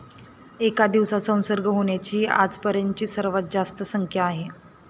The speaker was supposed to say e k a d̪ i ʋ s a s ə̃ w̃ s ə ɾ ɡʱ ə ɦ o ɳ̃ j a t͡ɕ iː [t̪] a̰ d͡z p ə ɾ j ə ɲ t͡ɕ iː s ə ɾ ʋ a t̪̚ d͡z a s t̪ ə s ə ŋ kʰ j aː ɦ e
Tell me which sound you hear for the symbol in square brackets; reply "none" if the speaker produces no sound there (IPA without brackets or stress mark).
none